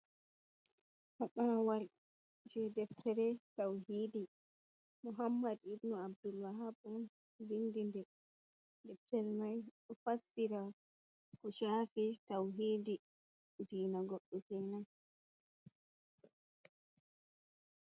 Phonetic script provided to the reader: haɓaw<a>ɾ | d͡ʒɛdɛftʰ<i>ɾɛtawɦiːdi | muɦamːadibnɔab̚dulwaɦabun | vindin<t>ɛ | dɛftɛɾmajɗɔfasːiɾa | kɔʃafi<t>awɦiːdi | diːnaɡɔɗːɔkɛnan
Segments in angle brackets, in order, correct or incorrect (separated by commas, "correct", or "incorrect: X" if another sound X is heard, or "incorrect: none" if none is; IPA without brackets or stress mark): correct, incorrect: ɛ, incorrect: d, correct